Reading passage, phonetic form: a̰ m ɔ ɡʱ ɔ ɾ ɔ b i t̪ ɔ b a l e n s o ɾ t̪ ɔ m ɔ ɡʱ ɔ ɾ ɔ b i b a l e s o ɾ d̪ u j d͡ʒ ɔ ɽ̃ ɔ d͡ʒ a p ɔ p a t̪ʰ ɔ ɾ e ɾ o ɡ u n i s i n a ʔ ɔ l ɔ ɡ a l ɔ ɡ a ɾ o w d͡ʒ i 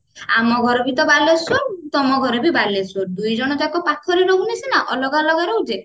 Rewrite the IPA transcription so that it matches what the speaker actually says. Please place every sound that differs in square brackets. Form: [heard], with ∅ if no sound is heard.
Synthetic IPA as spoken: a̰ m ɔ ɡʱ ɔ ɾ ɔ b i t̪ ɔ b a l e [∅] s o ɾ t̪ ɔ m ɔ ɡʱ ɔ ɾ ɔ b i b a l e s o ɾ d̪ u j d͡ʒ ɔ ɽ̃ ɔ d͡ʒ a [k] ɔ p a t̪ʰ ɔ ɾ e ɾ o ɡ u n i s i n a ʔ ɔ l ɔ ɡ a l ɔ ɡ a ɾ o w d͡ʒ [e]